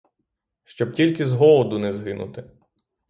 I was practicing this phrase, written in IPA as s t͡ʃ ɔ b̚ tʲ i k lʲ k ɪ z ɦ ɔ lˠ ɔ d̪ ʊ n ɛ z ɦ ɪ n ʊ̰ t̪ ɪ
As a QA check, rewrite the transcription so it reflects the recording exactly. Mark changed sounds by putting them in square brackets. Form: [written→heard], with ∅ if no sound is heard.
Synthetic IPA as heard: [s→ʃ] t͡ʃ ɔ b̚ tʲ i [k→∅] lʲ k ɪ z ɦ ɔ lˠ ɔ d̪ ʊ n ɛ z ɦ ɪ n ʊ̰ t̪ ɪ